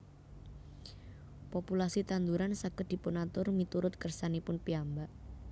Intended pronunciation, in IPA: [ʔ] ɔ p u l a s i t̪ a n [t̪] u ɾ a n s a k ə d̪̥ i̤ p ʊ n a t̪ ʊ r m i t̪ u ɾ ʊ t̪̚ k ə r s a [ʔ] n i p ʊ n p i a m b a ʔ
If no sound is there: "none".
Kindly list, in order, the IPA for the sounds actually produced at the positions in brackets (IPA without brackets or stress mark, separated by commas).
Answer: p, d̪, none